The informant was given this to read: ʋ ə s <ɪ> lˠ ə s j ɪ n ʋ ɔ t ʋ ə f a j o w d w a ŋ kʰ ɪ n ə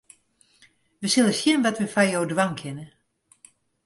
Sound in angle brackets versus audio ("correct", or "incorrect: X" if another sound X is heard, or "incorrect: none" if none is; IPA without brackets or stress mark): correct